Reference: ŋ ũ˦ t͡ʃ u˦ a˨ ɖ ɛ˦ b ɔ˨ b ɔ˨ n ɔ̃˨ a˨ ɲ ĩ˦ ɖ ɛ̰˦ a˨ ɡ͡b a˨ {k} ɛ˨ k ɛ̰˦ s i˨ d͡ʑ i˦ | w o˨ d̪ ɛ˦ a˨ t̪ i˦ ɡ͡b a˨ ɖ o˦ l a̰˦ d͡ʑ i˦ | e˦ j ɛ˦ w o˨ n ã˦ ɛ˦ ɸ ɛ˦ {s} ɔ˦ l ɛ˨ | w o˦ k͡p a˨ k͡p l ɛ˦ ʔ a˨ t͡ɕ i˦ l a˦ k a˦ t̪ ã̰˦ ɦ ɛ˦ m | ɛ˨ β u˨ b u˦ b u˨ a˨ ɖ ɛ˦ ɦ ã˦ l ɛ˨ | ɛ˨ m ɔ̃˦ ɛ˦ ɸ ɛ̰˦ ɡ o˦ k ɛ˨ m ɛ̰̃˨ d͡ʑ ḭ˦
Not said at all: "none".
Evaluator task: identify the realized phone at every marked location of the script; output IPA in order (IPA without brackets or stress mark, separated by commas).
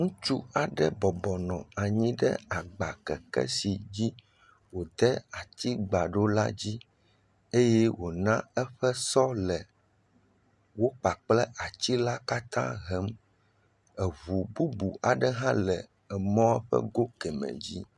k, s